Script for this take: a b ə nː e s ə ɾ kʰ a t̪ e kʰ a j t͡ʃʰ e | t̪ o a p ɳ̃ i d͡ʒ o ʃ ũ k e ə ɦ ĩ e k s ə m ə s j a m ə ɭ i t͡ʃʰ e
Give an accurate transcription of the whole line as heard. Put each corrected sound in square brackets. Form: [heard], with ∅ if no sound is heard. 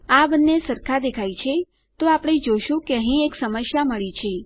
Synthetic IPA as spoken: a b ə nː e s ə ɾ kʰ a [d̪] e kʰ a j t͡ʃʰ e | t̪ o a p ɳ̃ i d͡ʒ o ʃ ũ k e ə ɦ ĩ e k s ə m ə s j a m ə ɭ i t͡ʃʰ e